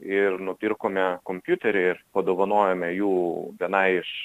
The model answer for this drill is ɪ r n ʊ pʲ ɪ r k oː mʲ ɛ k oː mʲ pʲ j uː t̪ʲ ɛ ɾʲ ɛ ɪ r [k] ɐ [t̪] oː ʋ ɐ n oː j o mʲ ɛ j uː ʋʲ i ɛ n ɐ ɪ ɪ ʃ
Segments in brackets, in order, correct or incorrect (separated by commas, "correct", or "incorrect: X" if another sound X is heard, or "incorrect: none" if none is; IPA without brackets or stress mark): incorrect: p, incorrect: d̪